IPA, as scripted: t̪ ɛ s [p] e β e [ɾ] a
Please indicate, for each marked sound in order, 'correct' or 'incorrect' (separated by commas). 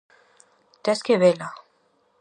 incorrect, incorrect